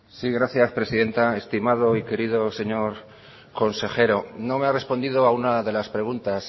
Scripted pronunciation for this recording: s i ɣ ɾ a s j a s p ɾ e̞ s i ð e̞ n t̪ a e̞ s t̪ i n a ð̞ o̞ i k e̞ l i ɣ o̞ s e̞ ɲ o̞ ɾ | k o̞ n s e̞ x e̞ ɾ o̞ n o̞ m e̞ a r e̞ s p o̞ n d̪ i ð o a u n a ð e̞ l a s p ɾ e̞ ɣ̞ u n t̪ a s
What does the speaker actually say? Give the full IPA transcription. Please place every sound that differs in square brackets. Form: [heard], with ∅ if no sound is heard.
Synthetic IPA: s i ɣ ɾ a [θ] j a s p ɾ e̞ s i ð e̞ n t̪ a e̞ s t̪ i [m] a ð̞ o̞ i k e̞ [ɾ] i [ð] o̞ s e̞ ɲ o̞ ɾ | k o̞ n s e̞ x e̞ ɾ o̞ n o̞ m e̞ a r e̞ s p o̞ n d̪ i ð o a u n a ð e̞ l a s p ɾ e̞ ɣ̞ u n t̪ a s

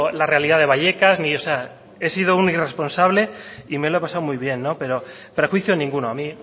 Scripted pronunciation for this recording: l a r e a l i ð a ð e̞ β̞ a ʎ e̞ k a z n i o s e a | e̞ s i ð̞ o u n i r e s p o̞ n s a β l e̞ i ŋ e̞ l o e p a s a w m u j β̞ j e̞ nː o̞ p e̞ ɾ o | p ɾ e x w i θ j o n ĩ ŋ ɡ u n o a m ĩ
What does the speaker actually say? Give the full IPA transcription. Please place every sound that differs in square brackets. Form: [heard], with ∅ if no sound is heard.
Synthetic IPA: l a r e a l i ð a ð e̞ β̞ a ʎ e̞ k a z n i o s e a | e̞ s i ð̞ o u n i r e s p o̞ n s a β l e̞ i [m] e̞ l o e p a s a w m u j β̞ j e̞ nː o̞ p e̞ ɾ o | p ɾ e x w i θ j o n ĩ ŋ ɡ u n o a m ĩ

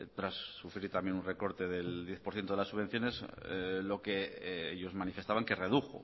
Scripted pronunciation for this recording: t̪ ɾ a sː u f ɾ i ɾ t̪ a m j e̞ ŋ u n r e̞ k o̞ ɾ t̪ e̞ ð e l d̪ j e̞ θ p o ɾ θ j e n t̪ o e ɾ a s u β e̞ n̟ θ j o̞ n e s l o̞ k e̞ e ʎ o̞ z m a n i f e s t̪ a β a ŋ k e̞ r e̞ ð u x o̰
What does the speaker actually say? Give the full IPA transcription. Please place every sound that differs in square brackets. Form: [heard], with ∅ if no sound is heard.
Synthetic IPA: t̪ ɾ a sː u f ɾ i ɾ t̪ a m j e̞ [n] u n r e̞ k o̞ ɾ t̪ e̞ ð e l d̪ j e̞ θ p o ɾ θ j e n t̪ o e [l] a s u β e̞ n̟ θ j o̞ n e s l o̞ k e̞ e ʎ o̞ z m a n i f e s t̪ a β a ŋ k e̞ r e̞ ð u x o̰

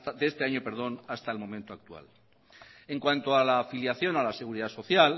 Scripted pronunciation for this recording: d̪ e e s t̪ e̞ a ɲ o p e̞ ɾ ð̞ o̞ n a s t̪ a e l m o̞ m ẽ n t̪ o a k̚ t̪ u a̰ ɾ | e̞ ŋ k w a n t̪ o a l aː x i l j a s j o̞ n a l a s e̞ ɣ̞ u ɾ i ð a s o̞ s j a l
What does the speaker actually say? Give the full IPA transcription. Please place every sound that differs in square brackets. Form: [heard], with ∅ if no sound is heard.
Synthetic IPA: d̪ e e s t̪ e̞ a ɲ o p e̞ ɾ ð̞ o̞ n a s t̪ a e l m o̞ m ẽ n t̪ o a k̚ t̪ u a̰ [l] | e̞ ŋ k w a n t̪ o a l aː [f] i l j a [θ] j o̞ n a l a s e̞ ɣ̞ u ɾ i ð a s o̞ [θ] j a l

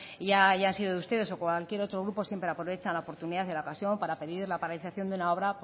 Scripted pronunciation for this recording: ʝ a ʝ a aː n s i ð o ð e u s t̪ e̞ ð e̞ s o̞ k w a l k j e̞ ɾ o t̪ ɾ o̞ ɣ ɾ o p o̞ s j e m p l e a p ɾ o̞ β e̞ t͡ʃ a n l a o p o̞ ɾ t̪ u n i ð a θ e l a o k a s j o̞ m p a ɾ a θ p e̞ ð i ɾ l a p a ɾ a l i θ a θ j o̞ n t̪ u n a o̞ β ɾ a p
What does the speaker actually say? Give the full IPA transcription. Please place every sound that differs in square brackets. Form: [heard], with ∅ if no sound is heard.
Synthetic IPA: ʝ a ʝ a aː n s i ð o ð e u s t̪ e̞ ð e̞ s o̞ k w a l k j e̞ ɾ o t̪ ɾ o̞ ɣ ɾ [u] p o̞ s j e m p [ɾ] e a p ɾ o̞ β e̞ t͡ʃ a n l a o p o̞ ɾ t̪ u n i ð a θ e l a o k a s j o̞ m p a ɾ a [∅] p e̞ ð i ɾ l a p a ɾ a l i θ a θ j o̞ n [d̪] u n a o̞ β ɾ a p

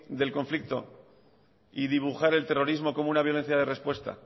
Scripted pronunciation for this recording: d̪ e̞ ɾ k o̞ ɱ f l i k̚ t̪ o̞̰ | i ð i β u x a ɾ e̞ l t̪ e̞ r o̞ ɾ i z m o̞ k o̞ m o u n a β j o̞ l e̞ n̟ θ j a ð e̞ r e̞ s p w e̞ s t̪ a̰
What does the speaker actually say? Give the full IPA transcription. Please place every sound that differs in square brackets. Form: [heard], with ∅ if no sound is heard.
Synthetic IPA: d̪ e̞ [l] k o̞ ɱ f l i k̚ t̪ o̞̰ | i ð i β u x a ɾ e̞ l t̪ e̞ r o̞ ɾ i z m o̞ k o̞ m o u n a β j o̞ l e̞ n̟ θ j a ð e̞ r e̞ s p w e̞ s t̪ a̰

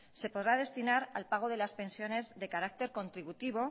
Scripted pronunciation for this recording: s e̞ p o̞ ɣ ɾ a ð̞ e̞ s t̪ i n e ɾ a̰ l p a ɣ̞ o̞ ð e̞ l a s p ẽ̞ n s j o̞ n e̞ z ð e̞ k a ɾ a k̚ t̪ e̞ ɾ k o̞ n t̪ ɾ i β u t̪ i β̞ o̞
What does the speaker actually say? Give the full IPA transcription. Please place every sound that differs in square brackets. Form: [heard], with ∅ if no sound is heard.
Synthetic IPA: s e̞ p o̞ [ð] ɾ a ð̞ e̞ s t̪ i n [a] ɾ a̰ l p a ɣ̞ o̞ ð e̞ l a s p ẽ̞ n s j o̞ n e̞ z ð e̞ k a ɾ a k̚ t̪ e̞ ɾ k o̞ n t̪ ɾ i β u t̪ i β̞ o̞

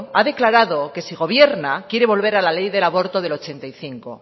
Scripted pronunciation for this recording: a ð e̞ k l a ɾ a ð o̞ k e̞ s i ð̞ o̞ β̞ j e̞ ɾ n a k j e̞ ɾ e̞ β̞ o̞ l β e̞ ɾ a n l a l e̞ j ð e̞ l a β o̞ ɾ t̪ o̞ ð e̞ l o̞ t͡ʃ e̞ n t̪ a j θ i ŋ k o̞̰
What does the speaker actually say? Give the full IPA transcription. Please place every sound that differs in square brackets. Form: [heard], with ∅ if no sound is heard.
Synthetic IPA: a ð e̞ k l a ɾ a ð o̞ k e̞ s i [ɣ̞] o̞ β̞ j e̞ ɾ n a k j e̞ ɾ e̞ β̞ o̞ l β e̞ ɾ a [∅] l a l e̞ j ð e̞ l a β o̞ ɾ t̪ o̞ ð e̞ l o̞ t͡ʃ e̞ n t̪ a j θ i ŋ k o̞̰

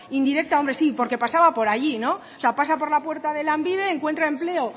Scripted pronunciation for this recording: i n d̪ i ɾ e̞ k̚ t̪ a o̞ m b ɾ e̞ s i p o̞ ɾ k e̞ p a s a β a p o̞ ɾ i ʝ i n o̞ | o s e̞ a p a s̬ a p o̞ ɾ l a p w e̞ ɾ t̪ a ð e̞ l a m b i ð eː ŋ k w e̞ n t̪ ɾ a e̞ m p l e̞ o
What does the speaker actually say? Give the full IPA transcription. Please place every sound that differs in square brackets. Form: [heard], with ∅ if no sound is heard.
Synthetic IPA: i n d̪ i ɾ e̞ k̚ t̪ a o̞ m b ɾ e̞ s i p o̞ ɾ k e̞ p a s a β a p o̞ ɾ [a] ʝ i n o̞ | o s e̞ a p a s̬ a p o̞ ɾ l a p w e̞ ɾ t̪ a ð e̞ l a m b i ð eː ŋ k w e̞ n t̪ ɾ a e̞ m p l e̞ o

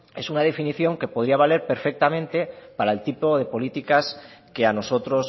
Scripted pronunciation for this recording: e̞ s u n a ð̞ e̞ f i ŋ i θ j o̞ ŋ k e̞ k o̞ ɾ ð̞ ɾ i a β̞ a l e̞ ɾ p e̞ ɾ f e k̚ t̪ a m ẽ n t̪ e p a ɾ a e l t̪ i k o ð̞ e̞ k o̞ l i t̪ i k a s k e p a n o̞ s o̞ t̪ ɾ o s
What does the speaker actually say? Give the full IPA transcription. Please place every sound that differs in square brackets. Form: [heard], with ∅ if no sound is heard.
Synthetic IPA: e̞ s u n a ð̞ e̞ f i [n] i θ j o̞ ŋ k e̞ [p] o̞ [∅] ð̞ ɾ i a β̞ a l e̞ ɾ p e̞ ɾ f e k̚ t̪ a m ẽ n t̪ e p a ɾ a e l t̪ i [p] o ð̞ e̞ [p] o̞ l i t̪ i k a s k e [∅] a n o̞ s o̞ t̪ ɾ o s

